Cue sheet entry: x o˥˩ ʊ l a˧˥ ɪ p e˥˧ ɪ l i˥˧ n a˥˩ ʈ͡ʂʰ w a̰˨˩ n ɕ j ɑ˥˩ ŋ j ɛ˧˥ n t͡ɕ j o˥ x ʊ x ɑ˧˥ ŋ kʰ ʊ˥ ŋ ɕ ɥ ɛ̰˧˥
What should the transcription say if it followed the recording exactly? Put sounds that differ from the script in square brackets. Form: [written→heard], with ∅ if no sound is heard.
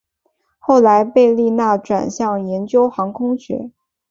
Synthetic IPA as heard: x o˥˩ ʊ l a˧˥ ɪ p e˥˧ ɪ l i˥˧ n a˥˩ [ʈ͡ʂʰ→ʈ͡ʂ] w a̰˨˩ n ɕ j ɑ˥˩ ŋ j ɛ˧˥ n t͡ɕ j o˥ [x→∅] ʊ x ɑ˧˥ ŋ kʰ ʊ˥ ŋ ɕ ɥ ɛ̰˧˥